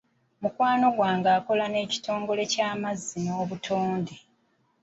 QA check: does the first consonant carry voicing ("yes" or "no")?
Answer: yes